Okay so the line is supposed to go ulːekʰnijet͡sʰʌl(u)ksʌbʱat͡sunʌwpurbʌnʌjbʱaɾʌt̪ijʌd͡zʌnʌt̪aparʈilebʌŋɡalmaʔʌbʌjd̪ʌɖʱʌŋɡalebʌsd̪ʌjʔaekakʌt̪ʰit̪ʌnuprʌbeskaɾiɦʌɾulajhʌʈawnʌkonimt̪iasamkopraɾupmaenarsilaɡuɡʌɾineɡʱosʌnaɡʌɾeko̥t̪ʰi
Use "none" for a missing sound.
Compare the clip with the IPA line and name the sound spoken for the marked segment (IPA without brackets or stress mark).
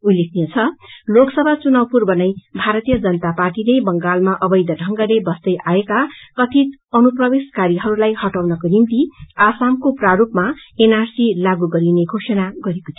o